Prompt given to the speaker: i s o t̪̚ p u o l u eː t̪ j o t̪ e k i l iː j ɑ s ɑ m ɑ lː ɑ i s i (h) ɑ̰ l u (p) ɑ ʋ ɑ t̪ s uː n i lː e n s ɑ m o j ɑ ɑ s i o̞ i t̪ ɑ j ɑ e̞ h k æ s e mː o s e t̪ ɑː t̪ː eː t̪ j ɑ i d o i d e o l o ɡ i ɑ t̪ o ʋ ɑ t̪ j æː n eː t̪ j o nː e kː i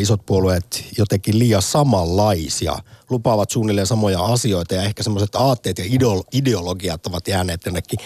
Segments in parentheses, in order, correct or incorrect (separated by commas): incorrect, correct